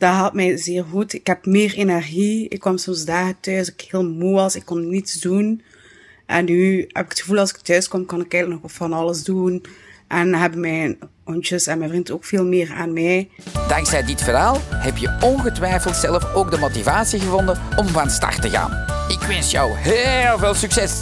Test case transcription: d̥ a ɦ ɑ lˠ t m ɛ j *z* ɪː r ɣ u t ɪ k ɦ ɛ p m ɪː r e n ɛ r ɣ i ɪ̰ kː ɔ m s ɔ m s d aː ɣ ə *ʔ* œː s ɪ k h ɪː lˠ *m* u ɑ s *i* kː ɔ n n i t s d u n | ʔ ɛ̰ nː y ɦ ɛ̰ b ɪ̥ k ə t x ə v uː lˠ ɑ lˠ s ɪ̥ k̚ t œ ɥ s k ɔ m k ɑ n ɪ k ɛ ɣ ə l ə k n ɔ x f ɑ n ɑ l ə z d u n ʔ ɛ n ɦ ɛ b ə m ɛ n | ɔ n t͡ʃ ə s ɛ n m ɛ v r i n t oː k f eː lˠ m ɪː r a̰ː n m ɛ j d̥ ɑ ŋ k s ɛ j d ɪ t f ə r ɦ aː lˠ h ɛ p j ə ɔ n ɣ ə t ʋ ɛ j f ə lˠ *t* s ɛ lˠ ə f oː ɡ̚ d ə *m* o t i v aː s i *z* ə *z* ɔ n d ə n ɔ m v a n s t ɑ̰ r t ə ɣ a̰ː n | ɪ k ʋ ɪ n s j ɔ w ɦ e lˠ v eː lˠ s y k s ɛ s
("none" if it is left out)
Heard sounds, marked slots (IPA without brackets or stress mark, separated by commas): z, t, m, ɪ, t, m, ɣ, v